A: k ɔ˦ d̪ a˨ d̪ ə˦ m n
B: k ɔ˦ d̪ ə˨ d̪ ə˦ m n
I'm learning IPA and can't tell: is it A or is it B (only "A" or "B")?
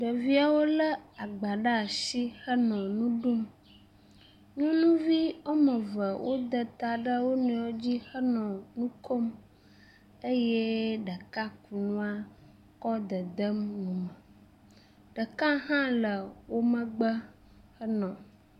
B